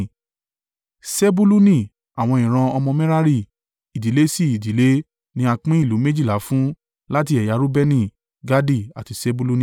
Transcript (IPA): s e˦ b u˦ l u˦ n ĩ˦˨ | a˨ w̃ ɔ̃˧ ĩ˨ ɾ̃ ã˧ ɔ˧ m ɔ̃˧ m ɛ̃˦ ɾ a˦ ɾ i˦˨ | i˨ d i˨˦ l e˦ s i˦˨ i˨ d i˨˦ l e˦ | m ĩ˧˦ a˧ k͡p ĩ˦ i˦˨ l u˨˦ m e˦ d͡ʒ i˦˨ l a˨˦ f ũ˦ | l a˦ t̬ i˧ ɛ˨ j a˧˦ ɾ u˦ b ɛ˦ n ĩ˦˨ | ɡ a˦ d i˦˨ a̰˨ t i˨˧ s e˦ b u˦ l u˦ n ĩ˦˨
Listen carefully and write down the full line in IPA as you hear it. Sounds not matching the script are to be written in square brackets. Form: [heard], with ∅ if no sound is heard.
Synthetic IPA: s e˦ b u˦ l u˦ n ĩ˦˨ | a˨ w̃ ɔ̃˧ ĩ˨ ɾ̃ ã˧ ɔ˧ m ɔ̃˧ m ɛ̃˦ ɾ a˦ ɾ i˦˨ | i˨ d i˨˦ l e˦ s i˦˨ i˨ d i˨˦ l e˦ | [n] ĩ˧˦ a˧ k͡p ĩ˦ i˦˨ l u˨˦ m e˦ d͡ʒ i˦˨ l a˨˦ f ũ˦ | l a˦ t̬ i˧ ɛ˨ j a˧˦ ɾ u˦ b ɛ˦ n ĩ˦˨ | ɡ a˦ d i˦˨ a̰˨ t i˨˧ s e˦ b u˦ l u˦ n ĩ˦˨